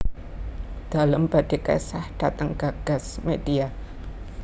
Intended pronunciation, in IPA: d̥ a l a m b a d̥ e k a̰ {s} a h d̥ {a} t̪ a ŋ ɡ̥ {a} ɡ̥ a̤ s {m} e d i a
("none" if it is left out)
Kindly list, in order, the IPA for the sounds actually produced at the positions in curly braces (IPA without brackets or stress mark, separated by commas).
s, a, a, m